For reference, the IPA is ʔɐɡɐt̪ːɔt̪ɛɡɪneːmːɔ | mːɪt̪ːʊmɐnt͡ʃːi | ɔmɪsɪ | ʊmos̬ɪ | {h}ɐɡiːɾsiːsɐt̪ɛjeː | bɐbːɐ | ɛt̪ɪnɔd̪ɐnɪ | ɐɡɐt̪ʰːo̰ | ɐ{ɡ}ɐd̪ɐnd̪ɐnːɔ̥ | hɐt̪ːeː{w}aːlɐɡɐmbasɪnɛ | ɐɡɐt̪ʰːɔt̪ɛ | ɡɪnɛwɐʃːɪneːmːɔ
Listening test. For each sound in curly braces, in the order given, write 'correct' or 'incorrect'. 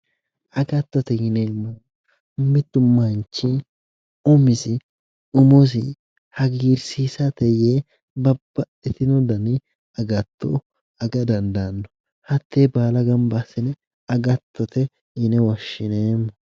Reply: correct, correct, incorrect

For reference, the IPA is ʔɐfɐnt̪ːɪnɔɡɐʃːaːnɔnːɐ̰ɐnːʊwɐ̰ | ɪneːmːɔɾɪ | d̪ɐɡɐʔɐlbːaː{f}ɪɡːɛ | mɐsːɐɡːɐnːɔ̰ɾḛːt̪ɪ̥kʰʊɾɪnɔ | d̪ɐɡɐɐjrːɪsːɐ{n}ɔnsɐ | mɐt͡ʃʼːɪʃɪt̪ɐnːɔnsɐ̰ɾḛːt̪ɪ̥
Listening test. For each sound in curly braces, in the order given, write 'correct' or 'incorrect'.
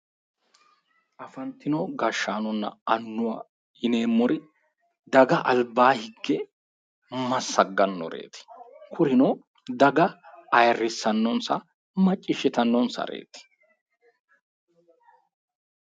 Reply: incorrect, incorrect

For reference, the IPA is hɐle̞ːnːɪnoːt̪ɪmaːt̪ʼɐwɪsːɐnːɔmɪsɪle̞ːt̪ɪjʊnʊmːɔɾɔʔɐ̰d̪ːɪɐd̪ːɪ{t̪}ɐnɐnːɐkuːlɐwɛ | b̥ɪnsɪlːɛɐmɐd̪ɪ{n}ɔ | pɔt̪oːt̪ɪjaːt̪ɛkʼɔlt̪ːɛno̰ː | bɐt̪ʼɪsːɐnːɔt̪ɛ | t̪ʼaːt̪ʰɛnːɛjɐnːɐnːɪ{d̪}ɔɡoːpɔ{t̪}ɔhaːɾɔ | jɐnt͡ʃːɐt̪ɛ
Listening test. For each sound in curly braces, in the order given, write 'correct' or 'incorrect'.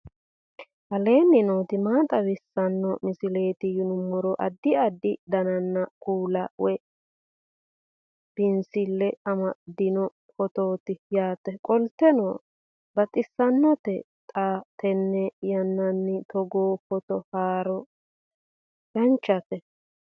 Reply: incorrect, correct, incorrect, correct

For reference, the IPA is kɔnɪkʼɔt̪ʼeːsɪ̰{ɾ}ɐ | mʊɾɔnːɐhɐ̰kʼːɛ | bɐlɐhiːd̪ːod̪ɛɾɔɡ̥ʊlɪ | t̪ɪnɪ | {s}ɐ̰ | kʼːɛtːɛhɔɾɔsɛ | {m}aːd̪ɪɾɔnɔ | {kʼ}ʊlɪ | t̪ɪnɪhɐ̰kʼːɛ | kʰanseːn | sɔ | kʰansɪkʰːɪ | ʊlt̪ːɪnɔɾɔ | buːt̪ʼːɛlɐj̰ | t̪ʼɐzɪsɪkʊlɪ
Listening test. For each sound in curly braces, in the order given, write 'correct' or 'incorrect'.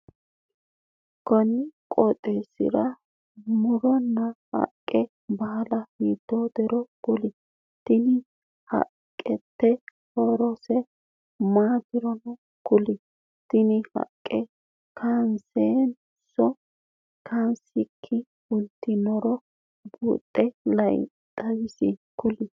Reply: correct, incorrect, correct, incorrect

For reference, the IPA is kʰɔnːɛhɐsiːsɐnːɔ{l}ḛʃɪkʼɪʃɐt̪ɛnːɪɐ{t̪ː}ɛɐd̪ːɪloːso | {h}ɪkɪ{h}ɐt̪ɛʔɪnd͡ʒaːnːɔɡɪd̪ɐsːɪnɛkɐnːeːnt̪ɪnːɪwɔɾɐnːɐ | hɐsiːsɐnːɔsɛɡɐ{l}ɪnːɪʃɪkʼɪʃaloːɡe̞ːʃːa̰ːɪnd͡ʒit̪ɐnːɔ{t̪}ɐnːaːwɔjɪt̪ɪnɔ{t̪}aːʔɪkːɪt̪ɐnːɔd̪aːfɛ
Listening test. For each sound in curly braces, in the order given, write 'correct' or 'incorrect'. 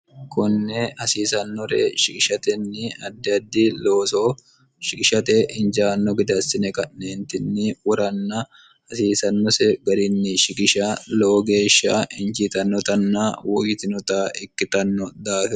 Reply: incorrect, incorrect, incorrect, incorrect, incorrect, correct, correct

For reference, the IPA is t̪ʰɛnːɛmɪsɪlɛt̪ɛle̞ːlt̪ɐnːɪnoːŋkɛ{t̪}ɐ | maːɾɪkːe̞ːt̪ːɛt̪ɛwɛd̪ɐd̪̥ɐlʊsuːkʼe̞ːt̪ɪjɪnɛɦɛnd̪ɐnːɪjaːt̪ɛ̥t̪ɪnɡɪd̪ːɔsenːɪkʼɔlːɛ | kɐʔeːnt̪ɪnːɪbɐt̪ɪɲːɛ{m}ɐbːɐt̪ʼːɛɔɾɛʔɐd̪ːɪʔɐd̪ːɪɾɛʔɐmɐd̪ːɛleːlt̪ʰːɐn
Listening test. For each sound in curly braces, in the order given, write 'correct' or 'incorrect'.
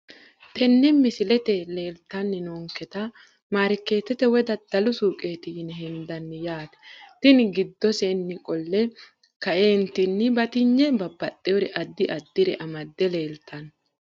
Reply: correct, incorrect

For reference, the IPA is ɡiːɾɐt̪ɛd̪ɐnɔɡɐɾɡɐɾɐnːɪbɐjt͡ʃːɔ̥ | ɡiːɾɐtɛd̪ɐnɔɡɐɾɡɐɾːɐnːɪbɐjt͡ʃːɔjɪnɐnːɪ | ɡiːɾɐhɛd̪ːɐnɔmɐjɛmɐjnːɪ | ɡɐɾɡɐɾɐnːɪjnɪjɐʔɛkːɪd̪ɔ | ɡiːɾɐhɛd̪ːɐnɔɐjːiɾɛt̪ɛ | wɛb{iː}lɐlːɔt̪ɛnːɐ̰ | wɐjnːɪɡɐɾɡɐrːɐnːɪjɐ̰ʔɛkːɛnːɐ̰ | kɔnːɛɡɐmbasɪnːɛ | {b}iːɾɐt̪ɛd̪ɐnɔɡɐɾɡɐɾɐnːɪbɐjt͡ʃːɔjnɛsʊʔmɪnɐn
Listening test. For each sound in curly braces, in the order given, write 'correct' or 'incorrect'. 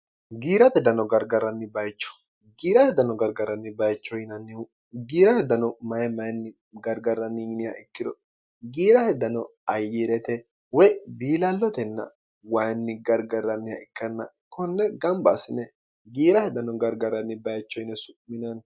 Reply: correct, incorrect

